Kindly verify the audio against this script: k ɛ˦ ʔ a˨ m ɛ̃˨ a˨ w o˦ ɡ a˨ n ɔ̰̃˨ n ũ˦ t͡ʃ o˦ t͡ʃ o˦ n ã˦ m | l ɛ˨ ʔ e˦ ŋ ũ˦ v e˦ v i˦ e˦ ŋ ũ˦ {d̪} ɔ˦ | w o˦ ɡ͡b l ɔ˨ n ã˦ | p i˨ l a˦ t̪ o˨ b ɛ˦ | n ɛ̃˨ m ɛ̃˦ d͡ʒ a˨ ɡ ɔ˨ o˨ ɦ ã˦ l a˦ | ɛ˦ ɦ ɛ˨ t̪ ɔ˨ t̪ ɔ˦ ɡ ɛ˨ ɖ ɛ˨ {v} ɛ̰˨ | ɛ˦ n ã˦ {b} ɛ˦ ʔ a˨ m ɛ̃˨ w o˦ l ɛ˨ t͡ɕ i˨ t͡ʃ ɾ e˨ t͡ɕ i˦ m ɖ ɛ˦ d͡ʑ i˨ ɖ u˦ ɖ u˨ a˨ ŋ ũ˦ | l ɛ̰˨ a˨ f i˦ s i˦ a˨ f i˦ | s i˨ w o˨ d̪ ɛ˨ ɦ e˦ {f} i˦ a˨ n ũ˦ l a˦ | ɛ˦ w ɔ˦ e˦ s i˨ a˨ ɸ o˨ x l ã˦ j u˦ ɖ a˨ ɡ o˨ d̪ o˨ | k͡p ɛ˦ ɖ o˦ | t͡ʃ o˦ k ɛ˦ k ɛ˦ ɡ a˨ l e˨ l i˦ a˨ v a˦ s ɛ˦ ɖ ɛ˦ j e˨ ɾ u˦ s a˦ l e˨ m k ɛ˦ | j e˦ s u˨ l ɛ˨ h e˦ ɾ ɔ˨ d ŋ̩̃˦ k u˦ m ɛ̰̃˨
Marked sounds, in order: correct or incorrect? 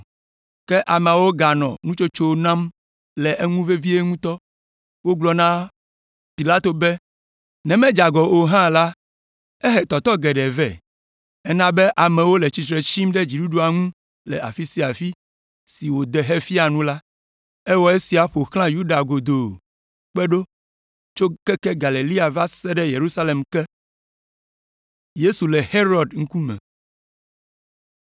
incorrect: t̪, correct, correct, correct

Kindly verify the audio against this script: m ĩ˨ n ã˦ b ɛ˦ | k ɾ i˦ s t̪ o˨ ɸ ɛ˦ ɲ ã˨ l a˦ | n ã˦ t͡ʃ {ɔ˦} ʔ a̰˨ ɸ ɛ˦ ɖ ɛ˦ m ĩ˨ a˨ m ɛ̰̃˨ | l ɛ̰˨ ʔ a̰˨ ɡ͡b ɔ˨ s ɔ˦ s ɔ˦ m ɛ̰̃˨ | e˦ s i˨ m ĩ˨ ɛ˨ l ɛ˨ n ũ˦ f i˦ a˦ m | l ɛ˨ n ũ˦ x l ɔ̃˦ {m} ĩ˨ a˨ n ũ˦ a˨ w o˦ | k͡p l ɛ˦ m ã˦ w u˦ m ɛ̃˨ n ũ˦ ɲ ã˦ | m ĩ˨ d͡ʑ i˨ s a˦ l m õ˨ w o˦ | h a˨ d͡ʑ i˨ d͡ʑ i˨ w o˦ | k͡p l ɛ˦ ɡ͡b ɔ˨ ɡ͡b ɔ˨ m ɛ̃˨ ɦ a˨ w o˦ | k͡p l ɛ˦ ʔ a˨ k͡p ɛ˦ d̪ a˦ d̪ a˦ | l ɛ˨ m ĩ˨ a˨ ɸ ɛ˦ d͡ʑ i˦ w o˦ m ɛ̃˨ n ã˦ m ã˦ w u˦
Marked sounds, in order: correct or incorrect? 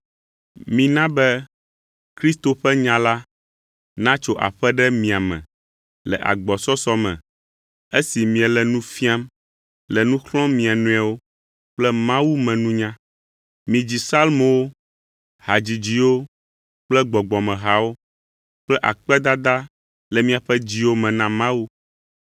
incorrect: o˦, correct

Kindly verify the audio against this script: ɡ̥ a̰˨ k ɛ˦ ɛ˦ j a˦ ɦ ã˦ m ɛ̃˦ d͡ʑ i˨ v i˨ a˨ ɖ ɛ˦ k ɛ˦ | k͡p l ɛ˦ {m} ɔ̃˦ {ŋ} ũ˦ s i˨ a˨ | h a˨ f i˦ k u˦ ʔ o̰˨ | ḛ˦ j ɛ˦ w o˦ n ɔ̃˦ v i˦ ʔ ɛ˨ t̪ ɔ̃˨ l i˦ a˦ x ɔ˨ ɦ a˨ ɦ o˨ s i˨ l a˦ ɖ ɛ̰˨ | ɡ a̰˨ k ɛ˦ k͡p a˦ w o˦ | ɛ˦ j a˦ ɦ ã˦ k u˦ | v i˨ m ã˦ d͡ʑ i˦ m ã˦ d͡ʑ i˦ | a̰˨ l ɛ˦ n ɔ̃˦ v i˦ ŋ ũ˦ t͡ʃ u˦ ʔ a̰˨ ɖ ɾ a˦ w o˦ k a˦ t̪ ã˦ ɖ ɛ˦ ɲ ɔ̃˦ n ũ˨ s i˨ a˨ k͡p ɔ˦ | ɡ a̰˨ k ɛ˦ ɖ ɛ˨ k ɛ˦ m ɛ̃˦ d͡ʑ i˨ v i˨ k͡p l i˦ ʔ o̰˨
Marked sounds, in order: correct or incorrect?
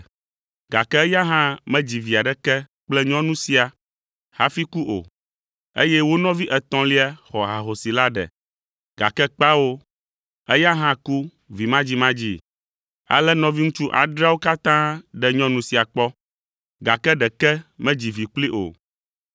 incorrect: ɲ, incorrect: n

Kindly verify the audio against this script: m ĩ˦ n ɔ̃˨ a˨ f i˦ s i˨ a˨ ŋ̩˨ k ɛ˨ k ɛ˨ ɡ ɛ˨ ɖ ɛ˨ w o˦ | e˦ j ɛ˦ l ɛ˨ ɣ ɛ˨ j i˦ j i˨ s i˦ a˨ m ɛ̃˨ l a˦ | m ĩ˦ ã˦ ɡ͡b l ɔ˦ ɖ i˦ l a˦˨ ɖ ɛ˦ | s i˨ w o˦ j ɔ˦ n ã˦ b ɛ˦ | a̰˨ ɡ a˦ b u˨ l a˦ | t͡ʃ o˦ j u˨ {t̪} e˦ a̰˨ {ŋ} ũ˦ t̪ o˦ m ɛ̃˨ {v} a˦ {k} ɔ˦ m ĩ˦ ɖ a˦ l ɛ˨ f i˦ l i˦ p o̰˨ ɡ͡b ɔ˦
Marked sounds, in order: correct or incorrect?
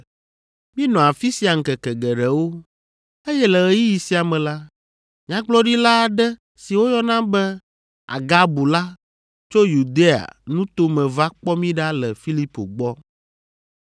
incorrect: d̪, incorrect: n, correct, incorrect: k͡p

